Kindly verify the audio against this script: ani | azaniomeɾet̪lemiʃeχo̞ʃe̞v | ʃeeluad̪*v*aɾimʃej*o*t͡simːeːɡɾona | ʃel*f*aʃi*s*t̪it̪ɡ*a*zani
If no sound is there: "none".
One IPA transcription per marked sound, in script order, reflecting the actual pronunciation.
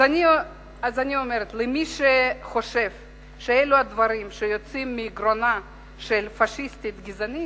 v, o, f, s, i

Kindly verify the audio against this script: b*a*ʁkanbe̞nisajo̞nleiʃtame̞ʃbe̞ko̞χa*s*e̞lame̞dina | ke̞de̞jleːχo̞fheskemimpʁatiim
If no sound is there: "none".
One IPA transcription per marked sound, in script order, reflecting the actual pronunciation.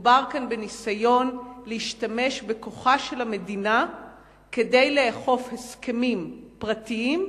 a, ʃ

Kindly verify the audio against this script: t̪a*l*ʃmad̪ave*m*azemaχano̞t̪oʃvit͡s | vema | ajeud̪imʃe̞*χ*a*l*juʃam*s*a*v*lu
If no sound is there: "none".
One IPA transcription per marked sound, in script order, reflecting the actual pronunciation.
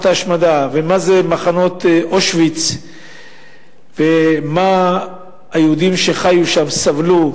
none, m, χ, none, s, v

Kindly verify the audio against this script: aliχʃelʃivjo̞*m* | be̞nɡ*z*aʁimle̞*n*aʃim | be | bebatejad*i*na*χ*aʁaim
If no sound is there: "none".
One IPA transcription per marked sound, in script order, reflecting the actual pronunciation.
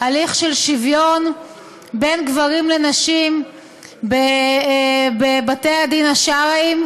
n, v, n, i, ʃ

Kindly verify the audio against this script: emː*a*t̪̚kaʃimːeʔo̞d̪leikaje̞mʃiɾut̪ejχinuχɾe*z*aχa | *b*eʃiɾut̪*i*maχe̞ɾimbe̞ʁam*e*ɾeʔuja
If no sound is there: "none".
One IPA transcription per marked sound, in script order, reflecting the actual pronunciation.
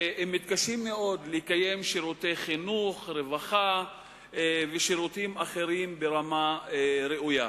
i, v, v, i, a

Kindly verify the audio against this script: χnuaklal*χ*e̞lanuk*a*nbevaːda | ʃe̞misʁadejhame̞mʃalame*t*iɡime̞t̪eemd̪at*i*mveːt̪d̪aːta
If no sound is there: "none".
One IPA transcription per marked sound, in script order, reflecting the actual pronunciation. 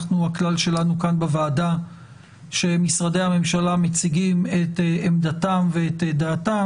ʃ, a, t͡s, a

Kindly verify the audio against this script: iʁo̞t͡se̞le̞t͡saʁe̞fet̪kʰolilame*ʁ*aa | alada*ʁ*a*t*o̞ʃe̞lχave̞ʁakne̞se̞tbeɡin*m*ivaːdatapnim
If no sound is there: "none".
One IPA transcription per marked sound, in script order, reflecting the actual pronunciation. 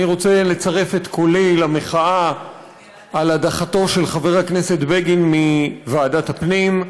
χ, χ, t, m

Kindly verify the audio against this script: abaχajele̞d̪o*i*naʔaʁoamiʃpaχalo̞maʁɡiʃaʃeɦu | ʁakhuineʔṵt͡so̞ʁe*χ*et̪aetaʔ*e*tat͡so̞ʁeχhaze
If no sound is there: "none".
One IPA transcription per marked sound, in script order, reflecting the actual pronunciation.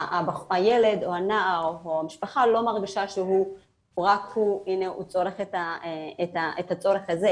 a, χ, e

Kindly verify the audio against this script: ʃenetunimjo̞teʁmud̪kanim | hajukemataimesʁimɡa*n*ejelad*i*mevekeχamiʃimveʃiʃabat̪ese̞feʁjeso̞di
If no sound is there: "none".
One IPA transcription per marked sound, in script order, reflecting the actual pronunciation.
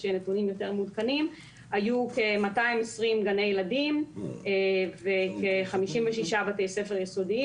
n, i

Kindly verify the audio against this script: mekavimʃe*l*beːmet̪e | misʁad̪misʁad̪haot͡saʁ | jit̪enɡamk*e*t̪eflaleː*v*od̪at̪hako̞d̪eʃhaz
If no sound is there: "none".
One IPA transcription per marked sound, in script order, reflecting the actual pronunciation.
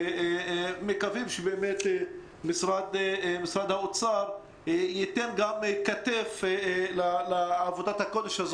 none, a, v

